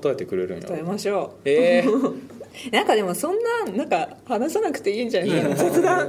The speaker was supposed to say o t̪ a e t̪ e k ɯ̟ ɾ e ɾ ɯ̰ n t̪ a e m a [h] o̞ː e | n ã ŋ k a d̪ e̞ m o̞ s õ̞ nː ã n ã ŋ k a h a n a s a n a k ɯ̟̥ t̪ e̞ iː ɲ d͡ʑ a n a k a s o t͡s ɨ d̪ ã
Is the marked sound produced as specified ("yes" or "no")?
no